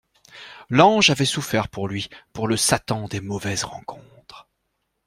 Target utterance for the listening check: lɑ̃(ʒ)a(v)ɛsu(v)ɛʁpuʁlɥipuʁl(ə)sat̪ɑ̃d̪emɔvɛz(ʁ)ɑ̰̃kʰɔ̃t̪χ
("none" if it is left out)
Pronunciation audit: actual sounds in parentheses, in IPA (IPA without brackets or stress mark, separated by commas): ʒ, v, f, ə, ʁ